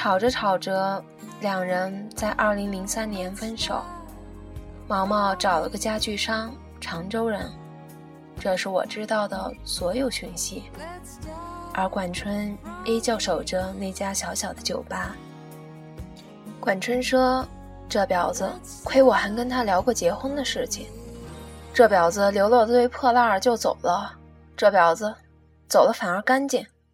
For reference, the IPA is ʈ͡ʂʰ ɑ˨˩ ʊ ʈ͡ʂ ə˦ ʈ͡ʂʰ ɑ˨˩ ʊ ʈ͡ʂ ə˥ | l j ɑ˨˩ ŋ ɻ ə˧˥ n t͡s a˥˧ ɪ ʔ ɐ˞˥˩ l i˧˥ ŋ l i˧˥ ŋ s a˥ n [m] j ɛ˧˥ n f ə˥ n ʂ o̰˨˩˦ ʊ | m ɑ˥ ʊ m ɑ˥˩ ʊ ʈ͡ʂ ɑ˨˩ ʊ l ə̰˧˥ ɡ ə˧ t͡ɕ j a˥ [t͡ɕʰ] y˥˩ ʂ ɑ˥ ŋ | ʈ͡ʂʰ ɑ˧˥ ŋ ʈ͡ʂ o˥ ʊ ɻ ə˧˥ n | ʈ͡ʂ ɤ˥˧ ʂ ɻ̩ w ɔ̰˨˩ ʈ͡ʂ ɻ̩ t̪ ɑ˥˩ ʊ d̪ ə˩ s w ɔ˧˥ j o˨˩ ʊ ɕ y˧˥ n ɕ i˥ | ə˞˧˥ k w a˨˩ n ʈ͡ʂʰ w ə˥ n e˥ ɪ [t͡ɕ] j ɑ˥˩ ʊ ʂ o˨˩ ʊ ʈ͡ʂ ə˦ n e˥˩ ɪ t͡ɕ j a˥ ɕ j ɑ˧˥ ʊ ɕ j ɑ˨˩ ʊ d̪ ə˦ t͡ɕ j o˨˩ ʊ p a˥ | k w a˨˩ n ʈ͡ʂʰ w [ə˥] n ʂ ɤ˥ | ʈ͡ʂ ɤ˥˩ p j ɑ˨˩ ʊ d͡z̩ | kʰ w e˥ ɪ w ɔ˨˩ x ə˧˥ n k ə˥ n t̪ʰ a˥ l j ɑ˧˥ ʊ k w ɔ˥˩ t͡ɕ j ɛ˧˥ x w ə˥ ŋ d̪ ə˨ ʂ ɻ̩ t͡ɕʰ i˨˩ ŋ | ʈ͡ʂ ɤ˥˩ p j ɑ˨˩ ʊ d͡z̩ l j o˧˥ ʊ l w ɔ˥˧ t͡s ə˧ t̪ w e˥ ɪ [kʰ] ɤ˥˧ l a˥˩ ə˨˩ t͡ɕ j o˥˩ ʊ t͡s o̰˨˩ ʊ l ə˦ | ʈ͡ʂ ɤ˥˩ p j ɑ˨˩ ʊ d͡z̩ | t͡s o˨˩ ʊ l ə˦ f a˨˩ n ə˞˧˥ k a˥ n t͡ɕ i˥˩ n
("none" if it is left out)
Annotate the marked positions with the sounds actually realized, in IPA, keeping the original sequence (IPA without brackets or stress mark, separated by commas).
n, t͡ɕ, t͡ɕ, ə˥, pʰ